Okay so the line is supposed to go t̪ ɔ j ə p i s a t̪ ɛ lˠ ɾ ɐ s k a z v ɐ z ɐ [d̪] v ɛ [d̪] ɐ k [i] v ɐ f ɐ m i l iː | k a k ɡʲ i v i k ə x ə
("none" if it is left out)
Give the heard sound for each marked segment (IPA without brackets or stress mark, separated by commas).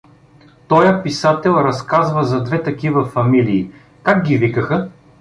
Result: d̪, t̪, i